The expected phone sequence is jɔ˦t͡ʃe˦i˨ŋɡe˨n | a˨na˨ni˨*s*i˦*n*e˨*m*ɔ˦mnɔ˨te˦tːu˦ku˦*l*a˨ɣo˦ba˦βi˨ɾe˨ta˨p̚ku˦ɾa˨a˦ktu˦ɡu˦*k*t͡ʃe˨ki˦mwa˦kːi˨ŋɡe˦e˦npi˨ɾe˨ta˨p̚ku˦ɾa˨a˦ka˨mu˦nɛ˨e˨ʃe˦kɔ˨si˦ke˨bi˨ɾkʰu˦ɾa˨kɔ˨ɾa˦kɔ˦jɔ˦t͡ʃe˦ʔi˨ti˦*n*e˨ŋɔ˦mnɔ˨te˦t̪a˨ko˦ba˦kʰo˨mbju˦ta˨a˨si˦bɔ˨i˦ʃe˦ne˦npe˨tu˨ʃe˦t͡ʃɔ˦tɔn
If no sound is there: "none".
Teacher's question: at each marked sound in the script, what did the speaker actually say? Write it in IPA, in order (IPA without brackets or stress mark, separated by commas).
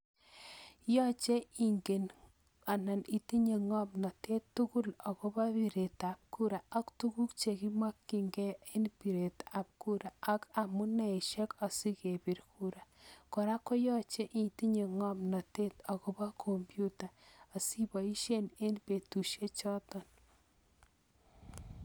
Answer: t, ɲ, ŋ, l, k, ɲ